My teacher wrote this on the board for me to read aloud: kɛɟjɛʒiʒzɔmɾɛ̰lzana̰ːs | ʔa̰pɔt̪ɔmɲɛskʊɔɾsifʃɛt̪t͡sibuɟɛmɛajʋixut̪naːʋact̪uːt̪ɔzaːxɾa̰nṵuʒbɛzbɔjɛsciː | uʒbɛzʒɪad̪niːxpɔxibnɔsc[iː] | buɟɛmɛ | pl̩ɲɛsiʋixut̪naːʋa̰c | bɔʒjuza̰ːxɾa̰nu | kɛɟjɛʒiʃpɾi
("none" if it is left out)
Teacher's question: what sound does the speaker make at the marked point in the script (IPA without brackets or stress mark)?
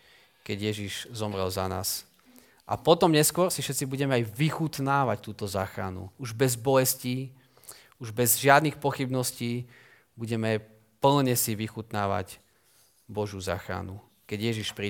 iː